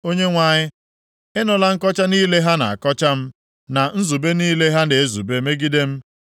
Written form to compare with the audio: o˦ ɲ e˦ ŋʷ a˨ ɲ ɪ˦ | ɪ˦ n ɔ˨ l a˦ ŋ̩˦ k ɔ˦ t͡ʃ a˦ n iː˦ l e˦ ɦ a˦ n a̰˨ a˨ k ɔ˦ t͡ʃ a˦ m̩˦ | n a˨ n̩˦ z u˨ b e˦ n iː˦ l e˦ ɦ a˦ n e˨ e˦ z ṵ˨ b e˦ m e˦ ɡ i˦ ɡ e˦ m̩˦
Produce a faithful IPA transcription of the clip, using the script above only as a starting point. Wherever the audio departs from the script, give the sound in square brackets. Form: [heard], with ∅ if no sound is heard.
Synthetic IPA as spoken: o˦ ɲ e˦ ŋʷ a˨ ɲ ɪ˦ | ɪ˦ n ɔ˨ l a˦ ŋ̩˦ k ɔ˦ t͡ʃ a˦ n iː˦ l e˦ ɦ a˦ n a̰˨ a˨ k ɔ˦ t͡ʃ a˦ m̩˦ | n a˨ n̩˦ z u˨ b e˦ n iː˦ l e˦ ɦ a˦ n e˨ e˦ z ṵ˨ b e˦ m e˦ ɡ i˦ [d] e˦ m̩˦

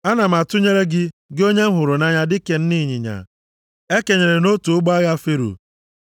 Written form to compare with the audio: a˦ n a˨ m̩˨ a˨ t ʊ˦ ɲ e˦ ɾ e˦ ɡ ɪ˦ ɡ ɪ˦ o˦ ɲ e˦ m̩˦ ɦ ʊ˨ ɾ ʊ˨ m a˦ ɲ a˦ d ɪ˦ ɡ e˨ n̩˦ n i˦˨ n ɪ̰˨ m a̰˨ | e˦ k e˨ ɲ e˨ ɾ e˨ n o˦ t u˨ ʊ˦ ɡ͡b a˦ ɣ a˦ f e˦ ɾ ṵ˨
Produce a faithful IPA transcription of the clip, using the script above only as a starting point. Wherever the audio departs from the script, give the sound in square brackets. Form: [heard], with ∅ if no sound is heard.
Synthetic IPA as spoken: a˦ n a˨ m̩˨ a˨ t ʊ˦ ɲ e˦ ɾ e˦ ɡ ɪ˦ ɡ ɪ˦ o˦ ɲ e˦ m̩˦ ɦ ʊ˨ ɾ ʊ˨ [n] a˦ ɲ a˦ d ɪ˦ [k] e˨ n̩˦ n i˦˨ [ɲ] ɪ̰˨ [ɲ] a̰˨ | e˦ k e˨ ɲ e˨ ɾ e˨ n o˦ t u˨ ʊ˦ ɡ͡b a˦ ɣ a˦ f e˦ ɾ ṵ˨

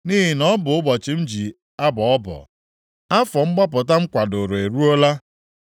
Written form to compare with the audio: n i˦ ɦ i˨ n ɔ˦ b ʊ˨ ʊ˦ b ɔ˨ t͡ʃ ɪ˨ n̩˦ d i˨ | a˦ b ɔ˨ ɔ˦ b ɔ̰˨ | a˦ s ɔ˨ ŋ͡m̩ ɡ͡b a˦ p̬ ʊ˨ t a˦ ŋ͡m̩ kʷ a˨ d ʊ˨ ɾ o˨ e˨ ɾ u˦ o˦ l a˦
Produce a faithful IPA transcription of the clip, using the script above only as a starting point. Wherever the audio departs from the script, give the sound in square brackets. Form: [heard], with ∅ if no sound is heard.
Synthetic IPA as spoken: n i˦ ɦ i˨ n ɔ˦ b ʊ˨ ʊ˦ b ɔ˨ t͡ʃ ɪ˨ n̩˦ [d͡ʒ] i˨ | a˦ b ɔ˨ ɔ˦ b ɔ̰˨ | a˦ [f] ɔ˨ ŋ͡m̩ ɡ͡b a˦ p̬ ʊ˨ t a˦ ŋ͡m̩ kʷ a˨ d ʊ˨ ɾ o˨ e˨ ɾ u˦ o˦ l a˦

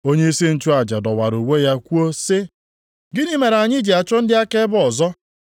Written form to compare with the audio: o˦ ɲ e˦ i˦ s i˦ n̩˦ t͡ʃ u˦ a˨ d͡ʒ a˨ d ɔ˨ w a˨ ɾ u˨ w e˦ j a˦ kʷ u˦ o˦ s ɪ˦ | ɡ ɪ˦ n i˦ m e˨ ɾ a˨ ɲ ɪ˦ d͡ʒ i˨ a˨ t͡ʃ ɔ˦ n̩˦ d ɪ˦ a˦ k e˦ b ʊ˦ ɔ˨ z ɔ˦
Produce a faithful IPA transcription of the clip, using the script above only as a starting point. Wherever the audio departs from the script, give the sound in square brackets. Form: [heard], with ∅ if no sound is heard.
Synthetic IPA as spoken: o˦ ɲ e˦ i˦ s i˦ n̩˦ t͡ʃ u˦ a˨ d͡ʒ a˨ d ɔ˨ w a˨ ɾ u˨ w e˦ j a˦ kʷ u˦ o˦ s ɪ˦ | ɡ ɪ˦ n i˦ m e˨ ɾ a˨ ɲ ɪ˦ d͡ʒ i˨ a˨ t͡ʃ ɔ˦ n̩˦ d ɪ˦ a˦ k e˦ b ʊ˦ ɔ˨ z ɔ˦

